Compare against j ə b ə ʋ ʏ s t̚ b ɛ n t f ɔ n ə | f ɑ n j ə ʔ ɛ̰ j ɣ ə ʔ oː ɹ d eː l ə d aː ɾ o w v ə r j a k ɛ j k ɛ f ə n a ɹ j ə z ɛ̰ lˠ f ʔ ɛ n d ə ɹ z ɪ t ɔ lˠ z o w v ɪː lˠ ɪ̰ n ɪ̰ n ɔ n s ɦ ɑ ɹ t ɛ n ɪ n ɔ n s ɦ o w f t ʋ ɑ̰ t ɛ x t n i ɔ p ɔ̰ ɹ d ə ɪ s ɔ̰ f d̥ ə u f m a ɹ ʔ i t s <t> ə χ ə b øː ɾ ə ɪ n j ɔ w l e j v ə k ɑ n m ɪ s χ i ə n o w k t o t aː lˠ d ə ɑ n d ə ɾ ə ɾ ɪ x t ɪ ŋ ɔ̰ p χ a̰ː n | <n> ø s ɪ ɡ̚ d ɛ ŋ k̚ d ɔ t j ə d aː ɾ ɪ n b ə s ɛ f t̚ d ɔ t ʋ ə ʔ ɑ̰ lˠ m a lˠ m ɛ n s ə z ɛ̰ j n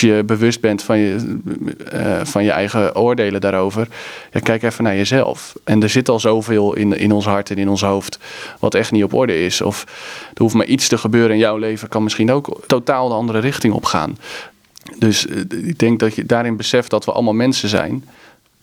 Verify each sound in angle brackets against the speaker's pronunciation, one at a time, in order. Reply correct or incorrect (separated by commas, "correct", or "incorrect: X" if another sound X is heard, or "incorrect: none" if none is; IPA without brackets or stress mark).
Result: correct, incorrect: d